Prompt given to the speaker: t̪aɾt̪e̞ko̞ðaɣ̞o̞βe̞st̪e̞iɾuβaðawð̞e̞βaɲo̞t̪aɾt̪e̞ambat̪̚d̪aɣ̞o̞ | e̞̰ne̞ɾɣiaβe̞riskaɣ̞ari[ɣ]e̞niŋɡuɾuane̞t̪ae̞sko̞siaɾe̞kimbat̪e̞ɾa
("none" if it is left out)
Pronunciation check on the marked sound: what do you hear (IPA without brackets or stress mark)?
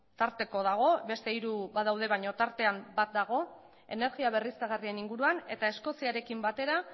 none